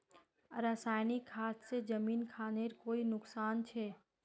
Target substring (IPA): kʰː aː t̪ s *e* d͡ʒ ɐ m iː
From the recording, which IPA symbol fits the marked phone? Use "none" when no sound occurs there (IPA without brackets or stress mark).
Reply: e